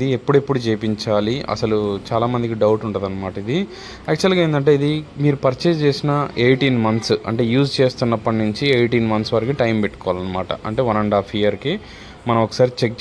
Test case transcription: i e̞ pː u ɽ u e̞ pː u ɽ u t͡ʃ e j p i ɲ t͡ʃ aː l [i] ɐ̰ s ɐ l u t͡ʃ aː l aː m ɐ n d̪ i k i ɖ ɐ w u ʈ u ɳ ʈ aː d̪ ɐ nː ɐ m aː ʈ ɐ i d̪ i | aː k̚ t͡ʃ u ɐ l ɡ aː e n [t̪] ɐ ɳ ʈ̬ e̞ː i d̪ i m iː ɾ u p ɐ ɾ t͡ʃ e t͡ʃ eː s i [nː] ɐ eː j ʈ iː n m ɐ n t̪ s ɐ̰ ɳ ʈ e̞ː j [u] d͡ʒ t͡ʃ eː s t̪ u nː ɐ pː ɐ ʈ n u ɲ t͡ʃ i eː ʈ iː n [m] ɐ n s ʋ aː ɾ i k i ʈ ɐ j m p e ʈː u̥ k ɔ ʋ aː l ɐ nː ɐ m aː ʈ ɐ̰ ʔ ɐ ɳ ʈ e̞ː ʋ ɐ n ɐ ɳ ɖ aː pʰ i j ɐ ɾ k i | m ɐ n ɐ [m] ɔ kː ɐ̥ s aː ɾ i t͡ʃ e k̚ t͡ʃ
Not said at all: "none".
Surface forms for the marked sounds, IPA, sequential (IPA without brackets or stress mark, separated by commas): i, d̪, n, uː, m, m